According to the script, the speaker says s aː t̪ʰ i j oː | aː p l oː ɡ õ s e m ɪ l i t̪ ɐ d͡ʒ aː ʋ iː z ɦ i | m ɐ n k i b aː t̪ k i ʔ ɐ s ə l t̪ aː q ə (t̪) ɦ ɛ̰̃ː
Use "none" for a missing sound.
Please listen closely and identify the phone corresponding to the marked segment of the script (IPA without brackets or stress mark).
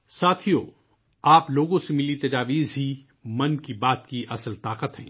t̪